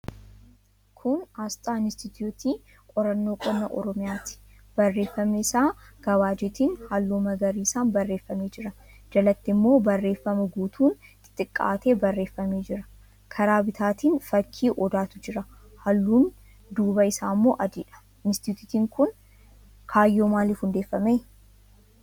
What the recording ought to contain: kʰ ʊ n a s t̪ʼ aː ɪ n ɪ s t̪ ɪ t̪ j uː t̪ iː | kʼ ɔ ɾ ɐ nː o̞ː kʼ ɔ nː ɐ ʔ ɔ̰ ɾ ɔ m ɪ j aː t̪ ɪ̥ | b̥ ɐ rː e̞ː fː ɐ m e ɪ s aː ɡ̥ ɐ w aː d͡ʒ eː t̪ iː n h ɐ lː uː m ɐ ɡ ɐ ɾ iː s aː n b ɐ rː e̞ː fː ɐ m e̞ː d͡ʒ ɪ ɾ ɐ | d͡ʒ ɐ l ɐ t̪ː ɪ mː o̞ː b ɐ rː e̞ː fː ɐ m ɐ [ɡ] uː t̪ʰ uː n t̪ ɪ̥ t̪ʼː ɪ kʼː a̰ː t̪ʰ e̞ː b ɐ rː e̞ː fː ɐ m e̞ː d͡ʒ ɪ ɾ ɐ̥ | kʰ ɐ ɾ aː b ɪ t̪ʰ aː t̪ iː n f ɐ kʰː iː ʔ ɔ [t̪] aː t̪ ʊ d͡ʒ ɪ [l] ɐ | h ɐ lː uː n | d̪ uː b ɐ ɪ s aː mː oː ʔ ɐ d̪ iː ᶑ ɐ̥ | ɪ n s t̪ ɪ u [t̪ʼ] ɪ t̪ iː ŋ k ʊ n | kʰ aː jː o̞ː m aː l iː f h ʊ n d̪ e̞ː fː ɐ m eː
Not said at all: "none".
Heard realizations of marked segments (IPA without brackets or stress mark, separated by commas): ɡ, d̪, ɾ, t̪